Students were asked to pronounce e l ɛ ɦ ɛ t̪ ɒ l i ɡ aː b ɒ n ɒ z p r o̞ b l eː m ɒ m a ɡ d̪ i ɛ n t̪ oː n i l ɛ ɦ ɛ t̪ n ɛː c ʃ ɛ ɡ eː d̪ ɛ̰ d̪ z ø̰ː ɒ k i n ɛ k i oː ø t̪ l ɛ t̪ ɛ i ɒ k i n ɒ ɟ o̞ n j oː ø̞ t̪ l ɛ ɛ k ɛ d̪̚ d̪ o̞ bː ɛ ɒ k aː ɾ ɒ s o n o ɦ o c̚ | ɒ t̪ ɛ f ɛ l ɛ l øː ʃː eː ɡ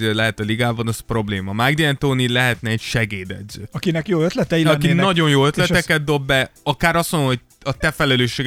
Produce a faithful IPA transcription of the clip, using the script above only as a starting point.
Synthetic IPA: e l ɛ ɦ ɛ t̪ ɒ l i ɡ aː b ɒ n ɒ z p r o̞ b l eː m ɒ m a ɡ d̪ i ɛ n t̪ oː n i l ɛ ɦ ɛ t̪ n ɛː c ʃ ɛ ɡ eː d̪ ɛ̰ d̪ z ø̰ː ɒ k i n ɛ k j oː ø t̪ l ɛ t̪ ɛ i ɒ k i n ɒ ɟ o̞ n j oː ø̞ t̪ l ɛ ɛ k ɛ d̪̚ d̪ o̞ bː ɛ ɒ k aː ɾ ɒ s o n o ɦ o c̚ | ɒ t̪ ɛ f ɛ l ɛ l øː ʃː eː ɡ